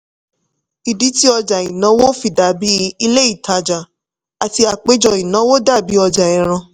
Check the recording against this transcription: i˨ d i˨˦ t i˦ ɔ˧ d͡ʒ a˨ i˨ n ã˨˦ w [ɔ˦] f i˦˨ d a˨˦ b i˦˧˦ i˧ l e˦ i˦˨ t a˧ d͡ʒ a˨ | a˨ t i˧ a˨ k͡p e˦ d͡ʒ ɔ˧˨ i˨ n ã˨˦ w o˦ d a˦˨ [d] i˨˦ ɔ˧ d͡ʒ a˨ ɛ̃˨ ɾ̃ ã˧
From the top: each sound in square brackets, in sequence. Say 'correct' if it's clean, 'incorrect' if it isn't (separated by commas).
incorrect, incorrect